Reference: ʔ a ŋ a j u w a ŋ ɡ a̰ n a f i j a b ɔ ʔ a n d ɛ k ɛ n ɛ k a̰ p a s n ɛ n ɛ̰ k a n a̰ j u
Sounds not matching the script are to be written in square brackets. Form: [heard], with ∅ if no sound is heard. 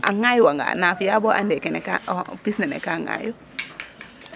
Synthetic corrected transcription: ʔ a ŋ a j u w a ŋ ɡ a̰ n a f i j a b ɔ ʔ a n d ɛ k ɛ n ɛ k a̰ p [i] s n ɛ n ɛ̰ k a [ŋ] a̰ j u